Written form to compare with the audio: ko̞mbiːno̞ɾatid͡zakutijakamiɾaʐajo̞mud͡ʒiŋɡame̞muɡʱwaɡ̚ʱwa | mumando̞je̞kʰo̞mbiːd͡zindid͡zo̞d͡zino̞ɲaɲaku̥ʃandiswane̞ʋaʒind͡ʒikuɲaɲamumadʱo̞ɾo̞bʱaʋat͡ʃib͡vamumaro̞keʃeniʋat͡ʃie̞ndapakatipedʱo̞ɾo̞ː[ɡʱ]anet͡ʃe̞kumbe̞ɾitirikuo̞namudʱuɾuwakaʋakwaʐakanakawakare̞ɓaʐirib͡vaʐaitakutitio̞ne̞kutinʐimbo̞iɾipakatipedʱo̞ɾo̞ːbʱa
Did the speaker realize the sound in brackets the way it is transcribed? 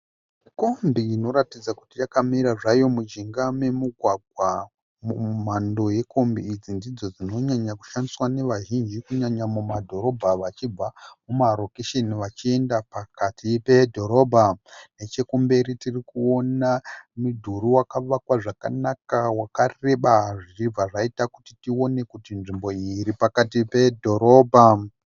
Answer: no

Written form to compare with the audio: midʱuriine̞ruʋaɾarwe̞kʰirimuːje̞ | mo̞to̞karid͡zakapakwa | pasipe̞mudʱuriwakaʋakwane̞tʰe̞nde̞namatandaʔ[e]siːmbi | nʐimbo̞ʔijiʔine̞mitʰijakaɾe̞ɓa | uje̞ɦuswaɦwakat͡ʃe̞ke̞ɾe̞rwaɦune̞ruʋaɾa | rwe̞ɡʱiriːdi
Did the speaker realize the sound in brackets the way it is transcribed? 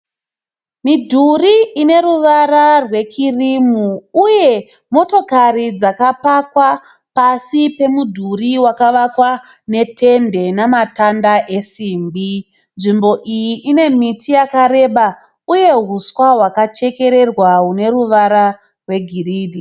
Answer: yes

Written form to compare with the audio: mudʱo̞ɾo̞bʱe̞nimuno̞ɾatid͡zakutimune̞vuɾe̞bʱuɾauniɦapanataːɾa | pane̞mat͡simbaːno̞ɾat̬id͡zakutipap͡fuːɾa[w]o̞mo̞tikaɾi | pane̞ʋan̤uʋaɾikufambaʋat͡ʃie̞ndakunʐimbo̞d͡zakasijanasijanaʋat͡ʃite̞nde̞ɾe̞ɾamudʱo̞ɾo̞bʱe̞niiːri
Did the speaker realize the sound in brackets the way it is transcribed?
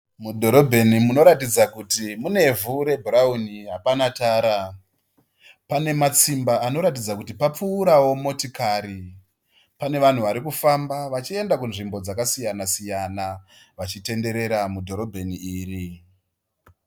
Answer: yes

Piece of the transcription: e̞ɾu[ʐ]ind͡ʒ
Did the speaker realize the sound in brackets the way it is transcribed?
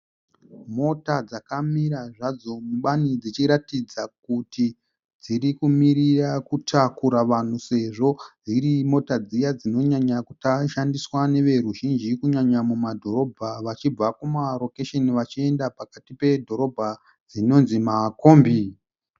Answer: no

